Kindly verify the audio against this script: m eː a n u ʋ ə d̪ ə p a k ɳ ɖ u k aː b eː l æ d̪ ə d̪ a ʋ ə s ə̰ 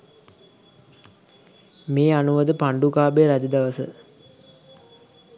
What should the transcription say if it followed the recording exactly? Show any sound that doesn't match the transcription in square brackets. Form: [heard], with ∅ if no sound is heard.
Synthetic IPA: m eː a n u ʋ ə d̪ ə p a [∅] ɳ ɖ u k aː b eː [ɾ] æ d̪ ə d̪ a ʋ ə s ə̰